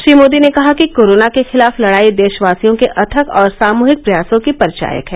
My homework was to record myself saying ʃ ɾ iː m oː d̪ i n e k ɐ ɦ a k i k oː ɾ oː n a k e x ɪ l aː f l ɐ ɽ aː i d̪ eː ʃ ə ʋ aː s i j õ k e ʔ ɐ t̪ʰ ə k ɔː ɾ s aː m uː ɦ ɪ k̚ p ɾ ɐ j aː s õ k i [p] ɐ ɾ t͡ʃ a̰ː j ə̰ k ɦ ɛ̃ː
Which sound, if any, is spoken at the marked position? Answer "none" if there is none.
p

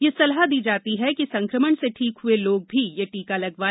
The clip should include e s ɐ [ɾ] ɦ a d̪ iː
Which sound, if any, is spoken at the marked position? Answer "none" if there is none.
l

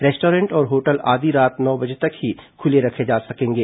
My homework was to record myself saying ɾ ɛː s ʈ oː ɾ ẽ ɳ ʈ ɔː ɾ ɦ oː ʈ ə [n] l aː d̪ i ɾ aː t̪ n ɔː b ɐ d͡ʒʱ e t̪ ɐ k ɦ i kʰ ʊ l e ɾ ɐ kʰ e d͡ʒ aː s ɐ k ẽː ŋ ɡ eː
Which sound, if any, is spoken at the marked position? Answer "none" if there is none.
none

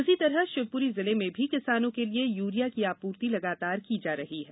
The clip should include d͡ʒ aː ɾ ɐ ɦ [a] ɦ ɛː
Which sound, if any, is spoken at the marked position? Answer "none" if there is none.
i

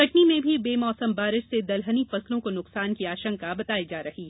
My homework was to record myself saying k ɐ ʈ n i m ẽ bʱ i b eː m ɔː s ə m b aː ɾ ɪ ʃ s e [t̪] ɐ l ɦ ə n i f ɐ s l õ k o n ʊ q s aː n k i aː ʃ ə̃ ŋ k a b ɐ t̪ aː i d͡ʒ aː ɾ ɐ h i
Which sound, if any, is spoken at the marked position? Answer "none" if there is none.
d̪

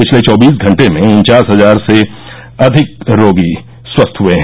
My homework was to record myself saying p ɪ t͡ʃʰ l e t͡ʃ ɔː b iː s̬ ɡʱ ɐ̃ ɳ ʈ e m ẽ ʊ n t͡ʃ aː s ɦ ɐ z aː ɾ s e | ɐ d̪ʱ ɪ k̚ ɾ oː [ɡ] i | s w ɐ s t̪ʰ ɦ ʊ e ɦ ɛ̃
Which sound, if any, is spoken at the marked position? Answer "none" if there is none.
ɡ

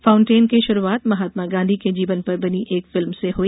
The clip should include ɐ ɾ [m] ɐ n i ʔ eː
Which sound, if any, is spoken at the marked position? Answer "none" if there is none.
b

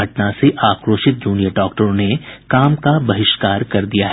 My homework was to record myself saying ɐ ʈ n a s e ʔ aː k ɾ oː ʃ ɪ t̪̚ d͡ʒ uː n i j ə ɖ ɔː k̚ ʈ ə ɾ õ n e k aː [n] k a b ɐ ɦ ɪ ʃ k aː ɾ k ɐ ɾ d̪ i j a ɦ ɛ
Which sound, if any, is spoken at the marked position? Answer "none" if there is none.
m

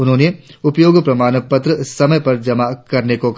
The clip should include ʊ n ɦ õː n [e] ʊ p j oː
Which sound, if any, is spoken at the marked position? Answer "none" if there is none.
e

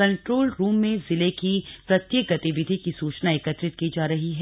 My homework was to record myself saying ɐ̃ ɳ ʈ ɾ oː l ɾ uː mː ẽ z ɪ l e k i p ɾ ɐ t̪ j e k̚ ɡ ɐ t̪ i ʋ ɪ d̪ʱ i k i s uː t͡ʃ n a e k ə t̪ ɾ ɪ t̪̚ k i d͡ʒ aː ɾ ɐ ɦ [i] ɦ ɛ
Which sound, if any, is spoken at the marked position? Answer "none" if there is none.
i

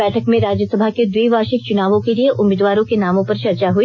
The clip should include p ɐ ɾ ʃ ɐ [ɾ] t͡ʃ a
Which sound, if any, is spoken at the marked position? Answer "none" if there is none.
ɾ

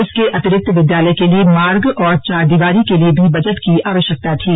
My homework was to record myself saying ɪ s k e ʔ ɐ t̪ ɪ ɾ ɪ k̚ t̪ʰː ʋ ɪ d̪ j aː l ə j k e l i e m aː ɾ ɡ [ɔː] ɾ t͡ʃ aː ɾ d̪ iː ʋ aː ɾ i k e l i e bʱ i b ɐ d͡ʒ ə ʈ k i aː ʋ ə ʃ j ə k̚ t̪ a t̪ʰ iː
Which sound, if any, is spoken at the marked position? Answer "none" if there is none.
ɔː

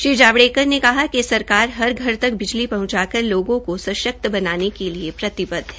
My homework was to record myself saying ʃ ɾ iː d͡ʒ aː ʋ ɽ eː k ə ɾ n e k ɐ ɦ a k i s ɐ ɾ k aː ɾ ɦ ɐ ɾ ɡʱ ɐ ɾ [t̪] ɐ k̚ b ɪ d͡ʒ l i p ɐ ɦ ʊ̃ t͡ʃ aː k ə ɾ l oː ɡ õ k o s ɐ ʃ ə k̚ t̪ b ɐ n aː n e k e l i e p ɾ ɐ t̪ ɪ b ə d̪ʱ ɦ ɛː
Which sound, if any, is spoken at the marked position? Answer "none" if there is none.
t̪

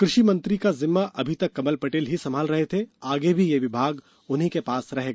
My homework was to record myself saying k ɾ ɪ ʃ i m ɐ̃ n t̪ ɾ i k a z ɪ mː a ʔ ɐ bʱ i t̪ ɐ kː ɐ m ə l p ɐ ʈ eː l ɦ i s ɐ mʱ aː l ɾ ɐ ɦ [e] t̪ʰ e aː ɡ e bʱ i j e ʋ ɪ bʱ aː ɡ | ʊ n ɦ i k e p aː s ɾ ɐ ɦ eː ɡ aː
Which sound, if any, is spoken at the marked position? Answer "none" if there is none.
e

